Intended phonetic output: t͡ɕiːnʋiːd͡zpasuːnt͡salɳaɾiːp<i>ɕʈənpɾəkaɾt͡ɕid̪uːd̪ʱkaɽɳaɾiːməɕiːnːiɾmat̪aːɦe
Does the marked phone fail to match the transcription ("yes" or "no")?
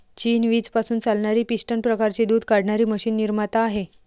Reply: no